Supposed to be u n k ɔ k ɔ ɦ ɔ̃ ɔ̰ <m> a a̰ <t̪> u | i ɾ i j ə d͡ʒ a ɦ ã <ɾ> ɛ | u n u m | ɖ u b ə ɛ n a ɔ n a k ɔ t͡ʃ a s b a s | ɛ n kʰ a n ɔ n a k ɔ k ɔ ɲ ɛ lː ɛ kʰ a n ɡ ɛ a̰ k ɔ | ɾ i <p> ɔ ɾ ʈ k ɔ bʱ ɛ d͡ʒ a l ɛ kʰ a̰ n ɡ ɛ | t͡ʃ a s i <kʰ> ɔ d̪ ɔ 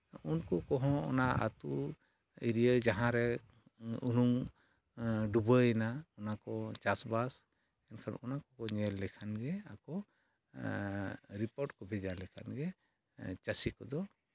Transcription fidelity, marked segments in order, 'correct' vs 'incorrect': incorrect: n, correct, correct, correct, incorrect: k

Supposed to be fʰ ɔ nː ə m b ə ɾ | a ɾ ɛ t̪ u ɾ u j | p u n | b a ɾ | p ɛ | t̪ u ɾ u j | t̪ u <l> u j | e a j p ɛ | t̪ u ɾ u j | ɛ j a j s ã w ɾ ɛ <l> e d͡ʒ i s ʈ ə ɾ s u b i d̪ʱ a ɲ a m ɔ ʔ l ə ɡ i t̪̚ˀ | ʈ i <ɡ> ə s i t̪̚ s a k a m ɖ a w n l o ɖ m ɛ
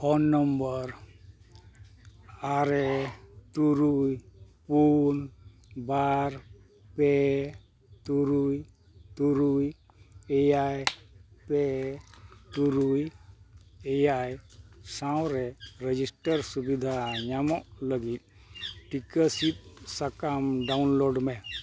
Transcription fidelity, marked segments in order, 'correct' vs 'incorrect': incorrect: ɾ, incorrect: ɾ, incorrect: k

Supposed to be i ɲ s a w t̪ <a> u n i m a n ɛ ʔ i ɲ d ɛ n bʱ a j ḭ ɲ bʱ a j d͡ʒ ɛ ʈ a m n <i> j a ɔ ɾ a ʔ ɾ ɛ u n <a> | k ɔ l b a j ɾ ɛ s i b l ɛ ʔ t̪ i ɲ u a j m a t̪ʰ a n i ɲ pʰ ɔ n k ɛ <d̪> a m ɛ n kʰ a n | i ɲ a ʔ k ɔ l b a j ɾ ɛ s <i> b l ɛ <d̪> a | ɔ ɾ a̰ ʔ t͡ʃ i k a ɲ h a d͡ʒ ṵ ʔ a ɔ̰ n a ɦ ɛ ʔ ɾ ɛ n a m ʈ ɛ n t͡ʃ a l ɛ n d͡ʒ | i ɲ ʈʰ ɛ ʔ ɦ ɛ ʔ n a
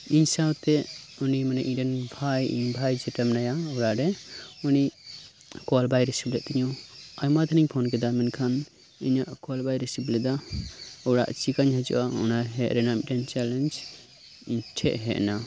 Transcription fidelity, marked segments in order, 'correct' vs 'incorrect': incorrect: ɛ, incorrect: a, incorrect: i, correct, correct, correct

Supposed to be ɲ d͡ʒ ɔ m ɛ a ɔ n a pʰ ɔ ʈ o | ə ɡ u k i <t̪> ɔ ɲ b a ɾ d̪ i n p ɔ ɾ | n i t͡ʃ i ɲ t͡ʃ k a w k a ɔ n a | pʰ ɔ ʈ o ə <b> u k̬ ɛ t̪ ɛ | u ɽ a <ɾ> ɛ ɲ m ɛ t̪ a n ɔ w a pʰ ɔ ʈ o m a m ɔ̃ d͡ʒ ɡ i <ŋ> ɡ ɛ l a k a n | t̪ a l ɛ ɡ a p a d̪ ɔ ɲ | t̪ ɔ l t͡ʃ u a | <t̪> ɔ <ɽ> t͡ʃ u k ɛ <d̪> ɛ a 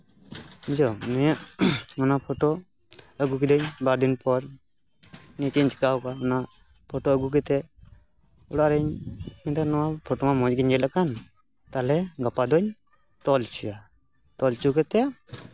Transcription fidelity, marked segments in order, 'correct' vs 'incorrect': incorrect: d̪, incorrect: ɡ, correct, incorrect: ɲ, correct, incorrect: l, incorrect: t̪

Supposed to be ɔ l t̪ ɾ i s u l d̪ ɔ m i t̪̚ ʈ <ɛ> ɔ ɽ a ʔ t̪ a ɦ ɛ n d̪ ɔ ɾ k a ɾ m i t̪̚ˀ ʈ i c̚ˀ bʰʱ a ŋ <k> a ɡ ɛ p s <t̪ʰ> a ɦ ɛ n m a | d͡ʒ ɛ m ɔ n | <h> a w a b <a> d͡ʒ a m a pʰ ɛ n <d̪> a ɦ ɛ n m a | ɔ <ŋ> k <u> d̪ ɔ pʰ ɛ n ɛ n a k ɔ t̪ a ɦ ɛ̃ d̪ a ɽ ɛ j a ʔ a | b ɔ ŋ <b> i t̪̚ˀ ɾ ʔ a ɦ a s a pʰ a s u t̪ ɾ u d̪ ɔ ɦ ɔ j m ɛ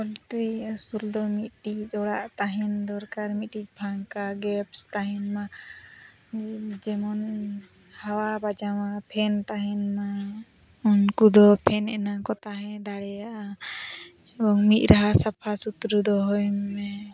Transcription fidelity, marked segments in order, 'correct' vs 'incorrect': incorrect: i, correct, incorrect: t̪, correct, correct, incorrect: t̪, incorrect: n, correct, incorrect: m

